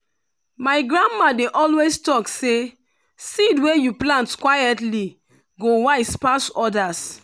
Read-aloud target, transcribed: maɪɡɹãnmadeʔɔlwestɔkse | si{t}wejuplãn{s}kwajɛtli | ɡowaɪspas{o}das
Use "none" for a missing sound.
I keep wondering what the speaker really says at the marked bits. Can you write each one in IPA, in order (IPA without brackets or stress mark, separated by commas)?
d, t, ɔ